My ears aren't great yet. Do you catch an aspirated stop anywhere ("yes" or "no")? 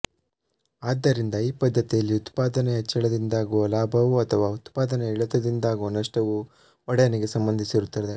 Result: yes